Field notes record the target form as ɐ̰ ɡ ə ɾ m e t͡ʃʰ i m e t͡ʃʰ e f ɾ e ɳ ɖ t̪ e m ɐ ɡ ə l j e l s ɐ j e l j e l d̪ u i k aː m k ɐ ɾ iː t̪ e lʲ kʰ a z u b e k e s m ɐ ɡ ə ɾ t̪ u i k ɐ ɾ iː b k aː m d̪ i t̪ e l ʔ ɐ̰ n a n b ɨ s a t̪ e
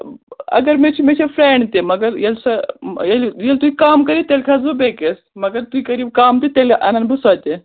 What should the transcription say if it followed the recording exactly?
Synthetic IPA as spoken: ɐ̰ ɡ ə ɾ m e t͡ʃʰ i m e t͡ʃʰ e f ɾ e ɳ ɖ t̪ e m ɐ ɡ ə ɾ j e l s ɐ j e l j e l t̪ u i k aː m k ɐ ɾ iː t̪ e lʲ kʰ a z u b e k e s m ɐ ɡ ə ɾ t̪ u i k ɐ ɾ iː b k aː m t̪ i t̪ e l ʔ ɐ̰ n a n b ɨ s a t̪ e